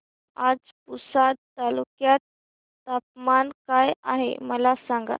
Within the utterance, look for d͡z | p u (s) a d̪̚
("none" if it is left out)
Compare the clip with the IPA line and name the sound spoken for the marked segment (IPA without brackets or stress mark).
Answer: s